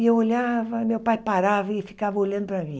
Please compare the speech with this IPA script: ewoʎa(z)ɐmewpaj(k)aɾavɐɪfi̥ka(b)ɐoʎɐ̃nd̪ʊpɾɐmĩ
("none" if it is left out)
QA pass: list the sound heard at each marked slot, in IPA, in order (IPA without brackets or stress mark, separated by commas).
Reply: v, p, v